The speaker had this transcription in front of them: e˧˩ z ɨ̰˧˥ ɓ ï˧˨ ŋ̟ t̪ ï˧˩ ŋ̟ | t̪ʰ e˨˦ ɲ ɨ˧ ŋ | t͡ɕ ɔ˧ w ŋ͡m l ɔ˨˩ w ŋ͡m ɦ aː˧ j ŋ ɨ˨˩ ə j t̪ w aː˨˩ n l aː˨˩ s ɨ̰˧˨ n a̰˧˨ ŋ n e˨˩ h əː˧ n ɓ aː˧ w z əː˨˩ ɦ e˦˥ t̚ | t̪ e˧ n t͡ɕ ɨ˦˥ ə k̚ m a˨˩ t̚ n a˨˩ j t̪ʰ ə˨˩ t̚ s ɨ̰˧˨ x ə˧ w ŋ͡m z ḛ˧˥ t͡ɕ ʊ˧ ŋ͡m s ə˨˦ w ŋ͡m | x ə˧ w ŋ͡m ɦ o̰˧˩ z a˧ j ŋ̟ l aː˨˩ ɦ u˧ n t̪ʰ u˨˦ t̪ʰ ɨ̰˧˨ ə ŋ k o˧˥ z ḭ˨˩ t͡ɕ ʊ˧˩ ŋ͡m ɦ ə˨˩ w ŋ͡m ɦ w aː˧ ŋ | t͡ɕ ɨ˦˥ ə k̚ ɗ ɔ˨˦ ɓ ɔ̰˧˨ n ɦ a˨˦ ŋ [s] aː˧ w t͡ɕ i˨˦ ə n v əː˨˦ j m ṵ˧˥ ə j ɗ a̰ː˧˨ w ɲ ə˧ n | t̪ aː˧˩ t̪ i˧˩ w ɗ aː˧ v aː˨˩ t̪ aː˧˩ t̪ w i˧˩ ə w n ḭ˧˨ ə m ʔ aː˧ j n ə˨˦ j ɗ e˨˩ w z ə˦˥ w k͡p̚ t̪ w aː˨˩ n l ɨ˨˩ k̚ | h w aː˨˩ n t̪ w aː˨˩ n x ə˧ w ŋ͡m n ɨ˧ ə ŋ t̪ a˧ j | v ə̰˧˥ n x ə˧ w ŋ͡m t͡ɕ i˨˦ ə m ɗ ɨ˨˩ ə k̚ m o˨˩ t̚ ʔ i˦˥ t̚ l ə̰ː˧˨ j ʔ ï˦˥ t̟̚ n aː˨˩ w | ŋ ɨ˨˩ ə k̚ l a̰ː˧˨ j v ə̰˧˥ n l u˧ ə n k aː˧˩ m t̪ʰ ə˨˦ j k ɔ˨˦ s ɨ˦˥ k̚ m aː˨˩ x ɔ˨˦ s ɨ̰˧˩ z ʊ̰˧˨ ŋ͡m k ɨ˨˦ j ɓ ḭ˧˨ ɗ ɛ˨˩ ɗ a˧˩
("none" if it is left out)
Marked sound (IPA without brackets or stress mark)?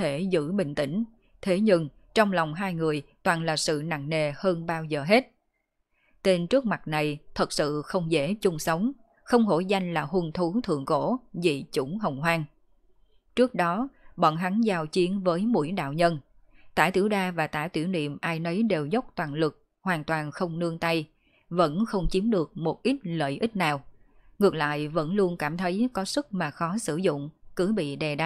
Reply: z